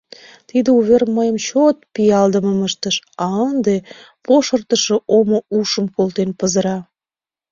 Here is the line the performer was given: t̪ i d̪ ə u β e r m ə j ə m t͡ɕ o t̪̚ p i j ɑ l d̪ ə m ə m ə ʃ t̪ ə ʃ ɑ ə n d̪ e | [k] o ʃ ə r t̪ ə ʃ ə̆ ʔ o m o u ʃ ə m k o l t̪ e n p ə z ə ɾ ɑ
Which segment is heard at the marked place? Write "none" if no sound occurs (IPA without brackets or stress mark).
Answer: p